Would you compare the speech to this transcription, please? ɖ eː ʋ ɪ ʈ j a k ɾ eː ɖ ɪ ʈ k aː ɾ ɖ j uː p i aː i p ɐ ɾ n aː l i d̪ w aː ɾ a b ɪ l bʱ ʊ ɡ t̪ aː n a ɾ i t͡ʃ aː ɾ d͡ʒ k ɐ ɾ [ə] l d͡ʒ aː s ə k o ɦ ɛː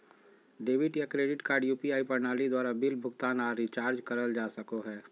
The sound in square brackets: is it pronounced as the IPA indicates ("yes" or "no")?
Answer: yes